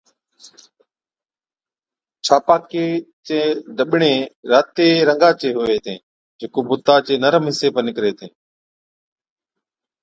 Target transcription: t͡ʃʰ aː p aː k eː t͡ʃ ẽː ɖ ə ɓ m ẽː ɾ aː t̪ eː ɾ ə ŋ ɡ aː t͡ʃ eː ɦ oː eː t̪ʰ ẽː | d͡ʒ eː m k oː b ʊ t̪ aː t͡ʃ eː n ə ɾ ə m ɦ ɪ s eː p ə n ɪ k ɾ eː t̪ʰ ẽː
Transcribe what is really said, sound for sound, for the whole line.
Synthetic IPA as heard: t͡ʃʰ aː p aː k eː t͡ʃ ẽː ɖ ə ɓ ɳ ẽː ɾ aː t̪ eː ɾ ə ŋ ɡ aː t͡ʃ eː ɦ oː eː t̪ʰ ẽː | d͡ʒ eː k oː b ʊ t̪ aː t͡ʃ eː n ə ɾ ə m ɦ ɪ s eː p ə n ɪ k ɾ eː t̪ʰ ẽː